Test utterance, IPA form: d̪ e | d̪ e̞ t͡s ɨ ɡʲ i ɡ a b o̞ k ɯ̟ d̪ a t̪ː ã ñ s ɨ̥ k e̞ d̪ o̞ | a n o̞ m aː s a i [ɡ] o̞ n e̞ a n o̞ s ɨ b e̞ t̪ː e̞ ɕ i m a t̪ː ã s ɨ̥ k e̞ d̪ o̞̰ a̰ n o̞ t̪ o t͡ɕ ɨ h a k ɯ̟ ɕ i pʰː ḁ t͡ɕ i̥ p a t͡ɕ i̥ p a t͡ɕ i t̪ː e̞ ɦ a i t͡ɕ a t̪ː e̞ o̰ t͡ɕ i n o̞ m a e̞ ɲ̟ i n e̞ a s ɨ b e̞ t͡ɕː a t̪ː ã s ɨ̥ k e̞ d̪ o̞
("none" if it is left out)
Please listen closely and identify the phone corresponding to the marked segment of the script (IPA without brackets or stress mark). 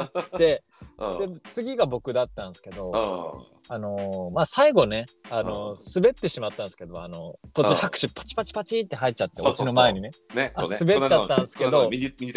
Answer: ɡ